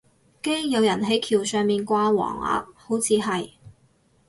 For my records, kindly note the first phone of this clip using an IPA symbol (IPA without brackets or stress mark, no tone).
k